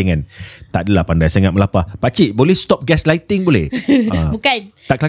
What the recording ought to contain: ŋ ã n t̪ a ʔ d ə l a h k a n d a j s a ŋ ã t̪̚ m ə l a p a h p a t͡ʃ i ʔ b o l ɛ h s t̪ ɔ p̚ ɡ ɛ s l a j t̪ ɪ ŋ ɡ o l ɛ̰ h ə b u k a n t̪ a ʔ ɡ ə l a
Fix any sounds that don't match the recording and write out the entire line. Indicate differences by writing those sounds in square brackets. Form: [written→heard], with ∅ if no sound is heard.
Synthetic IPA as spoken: ŋ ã n t̪ a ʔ d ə l a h [k→p] a n d a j s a ŋ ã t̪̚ m ə l a p a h p a t͡ʃ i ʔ b o l ɛ h s t̪ ɔ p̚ ɡ ɛ s l a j t̪ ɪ ŋ [ɡ→b] o l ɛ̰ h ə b u k a n t̪ a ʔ [ɡ→k] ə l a